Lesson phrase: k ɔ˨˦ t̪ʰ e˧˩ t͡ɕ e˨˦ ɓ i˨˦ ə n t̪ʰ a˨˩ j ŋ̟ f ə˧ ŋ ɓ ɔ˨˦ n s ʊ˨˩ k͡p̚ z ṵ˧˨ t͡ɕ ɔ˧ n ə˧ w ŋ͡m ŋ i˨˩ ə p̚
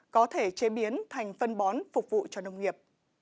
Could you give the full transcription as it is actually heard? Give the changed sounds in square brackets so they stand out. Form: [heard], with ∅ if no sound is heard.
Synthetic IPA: k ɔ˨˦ t̪ʰ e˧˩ t͡ɕ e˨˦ ɓ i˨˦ ə n t̪ʰ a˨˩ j ŋ̟ f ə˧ [n] ɓ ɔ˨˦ n [f] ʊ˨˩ k͡p̚ [v] ṵ˧˨ t͡ɕ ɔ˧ n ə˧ w ŋ͡m ŋ i˨˩ ə p̚